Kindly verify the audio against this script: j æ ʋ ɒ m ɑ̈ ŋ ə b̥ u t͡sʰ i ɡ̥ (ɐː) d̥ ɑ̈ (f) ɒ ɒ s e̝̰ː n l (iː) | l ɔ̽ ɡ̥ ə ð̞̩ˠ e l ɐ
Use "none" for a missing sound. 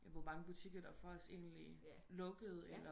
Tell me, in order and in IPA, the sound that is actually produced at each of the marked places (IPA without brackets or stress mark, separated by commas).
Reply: ɐ, f, i